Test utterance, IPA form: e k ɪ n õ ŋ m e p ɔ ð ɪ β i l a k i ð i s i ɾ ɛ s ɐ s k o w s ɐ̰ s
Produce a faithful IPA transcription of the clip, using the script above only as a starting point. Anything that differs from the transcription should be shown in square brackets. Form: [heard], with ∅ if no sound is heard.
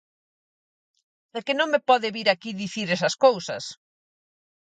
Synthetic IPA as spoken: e k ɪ n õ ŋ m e p ɔ ð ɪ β i [ɾ] a k i ð i [θ] i ɾ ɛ s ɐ s k o w s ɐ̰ s